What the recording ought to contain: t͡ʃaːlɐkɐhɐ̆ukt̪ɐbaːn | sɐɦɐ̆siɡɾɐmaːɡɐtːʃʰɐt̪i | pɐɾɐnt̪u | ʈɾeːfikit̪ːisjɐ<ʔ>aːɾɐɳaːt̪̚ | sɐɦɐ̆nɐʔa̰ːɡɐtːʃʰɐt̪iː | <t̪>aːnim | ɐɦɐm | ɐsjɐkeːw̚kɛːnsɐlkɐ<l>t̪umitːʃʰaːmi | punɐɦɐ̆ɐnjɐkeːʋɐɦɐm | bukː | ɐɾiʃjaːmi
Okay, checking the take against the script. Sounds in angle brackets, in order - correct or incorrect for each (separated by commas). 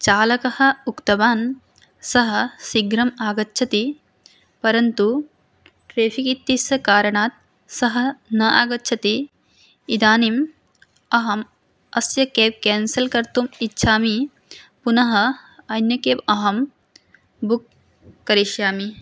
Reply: incorrect, incorrect, incorrect